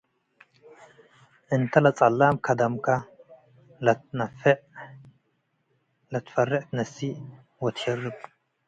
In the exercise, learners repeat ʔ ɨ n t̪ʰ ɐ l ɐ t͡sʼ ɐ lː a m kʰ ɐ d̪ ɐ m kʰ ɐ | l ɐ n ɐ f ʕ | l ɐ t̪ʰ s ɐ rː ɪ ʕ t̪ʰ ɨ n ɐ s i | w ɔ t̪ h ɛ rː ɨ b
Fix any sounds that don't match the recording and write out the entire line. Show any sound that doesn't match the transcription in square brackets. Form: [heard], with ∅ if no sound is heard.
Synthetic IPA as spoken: ʔ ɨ n t̪ʰ ɐ l ɐ t͡sʼ ɐ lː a m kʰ ɐ d̪ ɐ m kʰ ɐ | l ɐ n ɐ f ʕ | l ɐ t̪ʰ [f] ɐ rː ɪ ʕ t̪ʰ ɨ n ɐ s i | w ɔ t̪ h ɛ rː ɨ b